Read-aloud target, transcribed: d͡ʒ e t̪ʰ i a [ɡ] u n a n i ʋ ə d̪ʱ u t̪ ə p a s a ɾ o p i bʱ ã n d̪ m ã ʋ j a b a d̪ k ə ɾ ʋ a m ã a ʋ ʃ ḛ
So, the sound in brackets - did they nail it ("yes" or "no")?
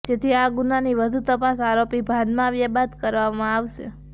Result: yes